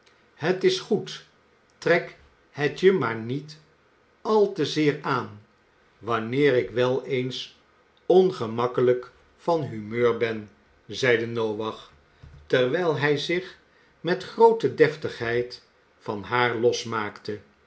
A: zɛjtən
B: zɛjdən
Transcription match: B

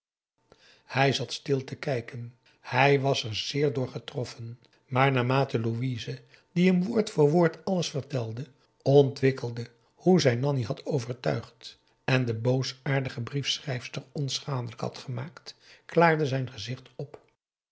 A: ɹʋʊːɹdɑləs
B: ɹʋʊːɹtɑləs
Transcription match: B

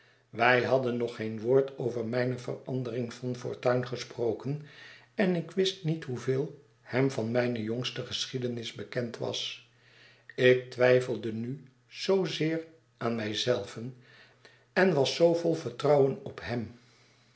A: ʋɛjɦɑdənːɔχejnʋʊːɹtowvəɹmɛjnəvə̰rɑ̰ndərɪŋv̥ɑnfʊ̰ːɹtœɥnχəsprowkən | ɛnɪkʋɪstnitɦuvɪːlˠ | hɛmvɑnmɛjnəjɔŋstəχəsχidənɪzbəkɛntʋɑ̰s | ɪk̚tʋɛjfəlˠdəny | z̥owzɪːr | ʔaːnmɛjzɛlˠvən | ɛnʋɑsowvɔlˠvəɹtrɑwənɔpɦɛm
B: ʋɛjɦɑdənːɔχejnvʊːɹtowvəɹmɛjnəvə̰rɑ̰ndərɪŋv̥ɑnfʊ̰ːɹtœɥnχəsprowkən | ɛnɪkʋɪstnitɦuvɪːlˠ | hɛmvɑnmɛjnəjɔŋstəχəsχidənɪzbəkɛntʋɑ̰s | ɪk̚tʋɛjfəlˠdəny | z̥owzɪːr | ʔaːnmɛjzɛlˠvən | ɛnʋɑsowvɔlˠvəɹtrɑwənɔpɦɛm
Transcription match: A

